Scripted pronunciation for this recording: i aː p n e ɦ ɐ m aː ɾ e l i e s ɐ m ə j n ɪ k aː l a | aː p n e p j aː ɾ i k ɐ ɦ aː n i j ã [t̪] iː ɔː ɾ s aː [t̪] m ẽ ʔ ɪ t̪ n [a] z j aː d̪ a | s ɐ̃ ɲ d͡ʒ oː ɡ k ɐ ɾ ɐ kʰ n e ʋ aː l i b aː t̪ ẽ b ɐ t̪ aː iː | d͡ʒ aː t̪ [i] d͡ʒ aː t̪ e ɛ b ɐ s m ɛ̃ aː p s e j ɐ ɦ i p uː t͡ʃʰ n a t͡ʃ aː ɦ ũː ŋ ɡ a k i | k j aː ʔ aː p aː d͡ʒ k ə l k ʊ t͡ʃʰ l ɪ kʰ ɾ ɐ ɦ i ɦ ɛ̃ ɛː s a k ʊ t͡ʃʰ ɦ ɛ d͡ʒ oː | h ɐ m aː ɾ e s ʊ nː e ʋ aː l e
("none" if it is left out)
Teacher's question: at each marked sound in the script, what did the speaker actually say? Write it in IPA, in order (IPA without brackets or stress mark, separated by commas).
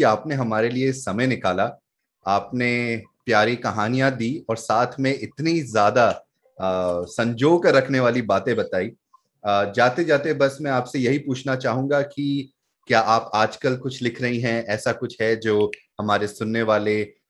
d̪, t̪ʰ, i, e